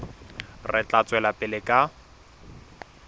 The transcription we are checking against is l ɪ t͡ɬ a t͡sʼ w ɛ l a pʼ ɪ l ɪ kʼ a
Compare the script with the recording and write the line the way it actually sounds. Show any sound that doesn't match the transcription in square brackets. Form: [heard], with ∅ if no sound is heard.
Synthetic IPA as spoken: [r] ɪ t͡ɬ a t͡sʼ w ɛ l a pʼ ɪ l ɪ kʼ a